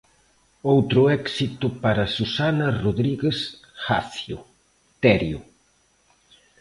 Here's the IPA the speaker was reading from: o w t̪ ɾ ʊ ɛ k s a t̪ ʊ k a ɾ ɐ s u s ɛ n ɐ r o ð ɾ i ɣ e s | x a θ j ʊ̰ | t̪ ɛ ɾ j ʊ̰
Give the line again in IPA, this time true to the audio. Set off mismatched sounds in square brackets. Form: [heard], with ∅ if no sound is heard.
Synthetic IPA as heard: o w t̪ ɾ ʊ ɛ k s [i] t̪ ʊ [p] a ɾ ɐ s u s [a] n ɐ r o ð ɾ i ɣ e s | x a θ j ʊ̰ | t̪ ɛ ɾ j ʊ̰